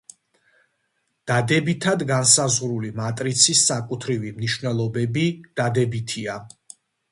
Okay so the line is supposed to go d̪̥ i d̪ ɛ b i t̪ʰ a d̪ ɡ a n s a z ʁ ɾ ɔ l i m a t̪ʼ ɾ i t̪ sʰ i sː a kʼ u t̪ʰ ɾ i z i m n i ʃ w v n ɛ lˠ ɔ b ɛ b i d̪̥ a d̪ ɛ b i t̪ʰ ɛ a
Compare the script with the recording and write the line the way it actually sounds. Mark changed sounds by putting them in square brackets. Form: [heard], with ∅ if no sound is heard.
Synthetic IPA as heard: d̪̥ [a] d̪ ɛ b i t̪ʰ a d̪ ɡ a n s a z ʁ ɾ [u] l i m a t̪ʼ ɾ i t̪ sʰ i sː a kʼ u t̪ʰ ɾ i [v] i m n i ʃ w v n ɛ lˠ ɔ b ɛ b i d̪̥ a d̪ ɛ b i t̪ʰ [i] a